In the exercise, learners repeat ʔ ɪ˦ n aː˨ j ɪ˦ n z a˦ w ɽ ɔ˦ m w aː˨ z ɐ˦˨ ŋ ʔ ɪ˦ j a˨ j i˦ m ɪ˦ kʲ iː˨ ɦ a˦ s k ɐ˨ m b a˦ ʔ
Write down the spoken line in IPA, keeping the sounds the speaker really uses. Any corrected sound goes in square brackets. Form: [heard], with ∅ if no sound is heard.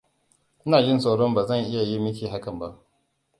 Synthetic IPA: ʔ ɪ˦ n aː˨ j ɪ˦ n [s] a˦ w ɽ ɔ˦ m [b] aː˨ z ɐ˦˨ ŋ ʔ ɪ˦ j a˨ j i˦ m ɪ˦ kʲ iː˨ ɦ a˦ [∅] k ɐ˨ m b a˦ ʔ